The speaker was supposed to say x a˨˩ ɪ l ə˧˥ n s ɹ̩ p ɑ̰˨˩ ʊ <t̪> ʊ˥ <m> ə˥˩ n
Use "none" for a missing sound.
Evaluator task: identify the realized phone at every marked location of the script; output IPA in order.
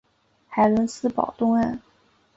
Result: t̪, ŋ

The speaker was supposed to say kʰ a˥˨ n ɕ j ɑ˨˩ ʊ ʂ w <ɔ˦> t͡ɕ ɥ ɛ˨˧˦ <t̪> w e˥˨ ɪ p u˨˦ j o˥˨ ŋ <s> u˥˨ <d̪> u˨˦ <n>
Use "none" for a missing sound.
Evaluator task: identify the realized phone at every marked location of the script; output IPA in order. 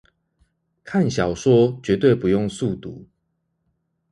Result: ɔ˦, t̪, s, t̪, none

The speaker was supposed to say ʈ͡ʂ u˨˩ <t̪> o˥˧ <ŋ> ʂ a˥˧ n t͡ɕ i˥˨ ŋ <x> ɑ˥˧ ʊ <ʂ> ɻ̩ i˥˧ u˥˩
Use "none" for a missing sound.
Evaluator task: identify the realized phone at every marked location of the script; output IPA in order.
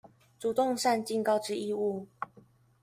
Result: t̪, ŋ, k, ʈ͡ʂ

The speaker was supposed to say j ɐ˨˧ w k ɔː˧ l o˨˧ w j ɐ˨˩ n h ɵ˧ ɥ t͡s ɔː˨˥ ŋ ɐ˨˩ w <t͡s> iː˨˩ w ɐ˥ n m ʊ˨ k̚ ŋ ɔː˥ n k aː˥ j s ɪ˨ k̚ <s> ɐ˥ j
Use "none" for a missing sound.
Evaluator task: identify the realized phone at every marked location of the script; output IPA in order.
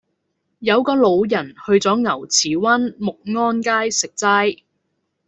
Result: t͡sʰ, t͡s

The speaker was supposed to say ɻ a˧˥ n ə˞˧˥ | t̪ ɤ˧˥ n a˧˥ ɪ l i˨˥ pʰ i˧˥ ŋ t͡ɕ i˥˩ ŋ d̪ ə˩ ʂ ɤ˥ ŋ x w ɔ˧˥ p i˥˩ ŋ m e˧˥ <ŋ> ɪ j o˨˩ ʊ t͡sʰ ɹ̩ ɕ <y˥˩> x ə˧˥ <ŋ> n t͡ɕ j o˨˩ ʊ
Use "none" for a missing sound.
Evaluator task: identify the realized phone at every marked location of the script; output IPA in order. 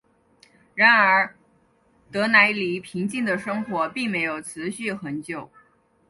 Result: none, y˥˩, none

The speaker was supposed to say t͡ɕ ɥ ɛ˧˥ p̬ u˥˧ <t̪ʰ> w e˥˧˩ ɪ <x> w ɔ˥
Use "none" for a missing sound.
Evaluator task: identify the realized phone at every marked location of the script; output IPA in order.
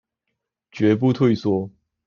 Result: t̪ʰ, s

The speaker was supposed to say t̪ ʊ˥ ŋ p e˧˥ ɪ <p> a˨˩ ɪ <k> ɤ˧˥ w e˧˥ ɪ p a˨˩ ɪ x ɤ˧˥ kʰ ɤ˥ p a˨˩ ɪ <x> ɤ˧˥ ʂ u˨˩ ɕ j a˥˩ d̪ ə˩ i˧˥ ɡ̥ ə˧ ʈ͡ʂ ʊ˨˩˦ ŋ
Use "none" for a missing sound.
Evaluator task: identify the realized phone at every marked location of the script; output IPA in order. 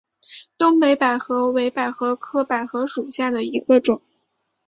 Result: p, x, x

